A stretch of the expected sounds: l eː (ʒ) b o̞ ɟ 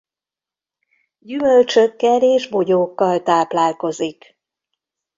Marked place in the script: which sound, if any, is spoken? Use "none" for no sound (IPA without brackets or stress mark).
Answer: ʒ